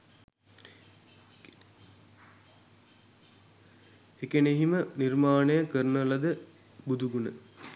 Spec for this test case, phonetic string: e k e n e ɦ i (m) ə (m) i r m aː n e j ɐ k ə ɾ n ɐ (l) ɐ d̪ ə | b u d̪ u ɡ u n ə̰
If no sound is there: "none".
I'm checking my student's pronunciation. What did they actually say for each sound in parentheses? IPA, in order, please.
m, n, l

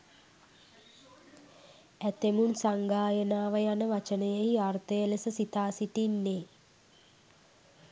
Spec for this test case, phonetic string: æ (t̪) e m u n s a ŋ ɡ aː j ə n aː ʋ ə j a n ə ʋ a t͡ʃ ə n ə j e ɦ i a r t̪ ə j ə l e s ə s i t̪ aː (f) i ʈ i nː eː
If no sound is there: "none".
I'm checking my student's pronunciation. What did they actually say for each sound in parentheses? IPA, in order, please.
t̪, s

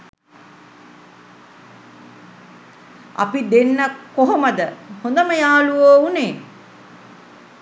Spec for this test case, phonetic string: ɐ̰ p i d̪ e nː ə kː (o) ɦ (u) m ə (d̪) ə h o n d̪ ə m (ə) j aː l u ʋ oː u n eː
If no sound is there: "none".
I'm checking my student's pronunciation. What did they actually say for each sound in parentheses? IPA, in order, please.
o, o, d̪, ə

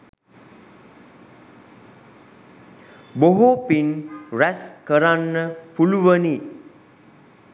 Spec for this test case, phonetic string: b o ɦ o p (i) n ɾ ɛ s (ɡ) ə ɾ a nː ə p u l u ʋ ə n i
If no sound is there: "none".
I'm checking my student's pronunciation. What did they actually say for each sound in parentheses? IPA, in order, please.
i, k

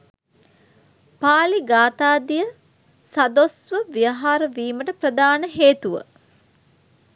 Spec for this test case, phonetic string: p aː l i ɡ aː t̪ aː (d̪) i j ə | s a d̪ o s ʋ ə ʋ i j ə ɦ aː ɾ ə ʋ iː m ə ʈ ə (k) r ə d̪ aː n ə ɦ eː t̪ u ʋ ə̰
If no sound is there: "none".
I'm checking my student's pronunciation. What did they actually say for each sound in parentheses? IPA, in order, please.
d̪, p

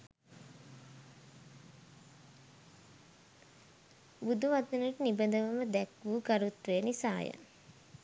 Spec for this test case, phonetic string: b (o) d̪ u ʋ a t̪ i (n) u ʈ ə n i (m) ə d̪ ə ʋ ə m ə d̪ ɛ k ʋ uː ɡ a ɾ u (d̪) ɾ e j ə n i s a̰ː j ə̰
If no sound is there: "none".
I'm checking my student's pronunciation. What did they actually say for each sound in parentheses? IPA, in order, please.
u, n, b, t̪

